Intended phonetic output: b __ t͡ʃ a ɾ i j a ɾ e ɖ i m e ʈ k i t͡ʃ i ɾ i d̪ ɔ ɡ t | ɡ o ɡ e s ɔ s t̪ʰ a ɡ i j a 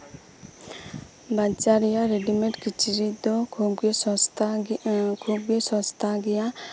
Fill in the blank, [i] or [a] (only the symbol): a